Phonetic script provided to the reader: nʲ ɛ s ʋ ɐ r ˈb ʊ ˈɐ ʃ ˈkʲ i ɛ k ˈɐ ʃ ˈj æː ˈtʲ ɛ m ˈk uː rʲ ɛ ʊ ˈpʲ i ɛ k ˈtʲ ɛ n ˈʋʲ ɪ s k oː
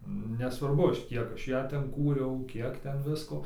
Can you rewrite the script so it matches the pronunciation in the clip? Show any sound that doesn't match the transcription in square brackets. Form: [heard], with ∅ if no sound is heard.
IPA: nʲ ɛ s ʋ ɐ r ˈb ʊ ˈɐ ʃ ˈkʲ i ɛ k ˈɐ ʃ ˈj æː ˈtʲ ɛ [n] ˈk uː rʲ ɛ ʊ [ˈkʲ] i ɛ k ˈtʲ ɛ n ˈʋʲ ɪ s k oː